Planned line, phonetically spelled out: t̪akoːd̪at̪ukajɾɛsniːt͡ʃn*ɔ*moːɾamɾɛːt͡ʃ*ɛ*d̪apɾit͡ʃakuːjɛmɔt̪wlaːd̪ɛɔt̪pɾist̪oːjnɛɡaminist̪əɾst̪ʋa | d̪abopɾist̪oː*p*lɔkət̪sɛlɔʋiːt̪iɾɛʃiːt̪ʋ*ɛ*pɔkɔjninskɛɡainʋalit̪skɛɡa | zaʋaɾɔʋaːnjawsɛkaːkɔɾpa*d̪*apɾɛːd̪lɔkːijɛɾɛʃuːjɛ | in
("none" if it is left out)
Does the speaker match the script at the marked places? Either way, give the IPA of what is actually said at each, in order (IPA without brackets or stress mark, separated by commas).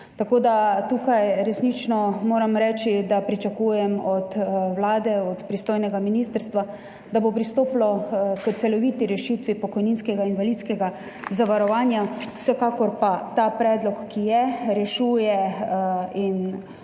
ɔ, i, p, i, t̪